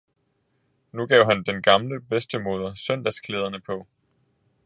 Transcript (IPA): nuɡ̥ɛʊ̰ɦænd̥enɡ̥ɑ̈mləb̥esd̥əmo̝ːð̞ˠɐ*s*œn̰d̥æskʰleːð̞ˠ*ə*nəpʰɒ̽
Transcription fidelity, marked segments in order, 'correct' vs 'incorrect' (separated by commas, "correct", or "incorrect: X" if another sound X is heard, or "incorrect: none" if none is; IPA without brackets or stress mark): correct, incorrect: ɐ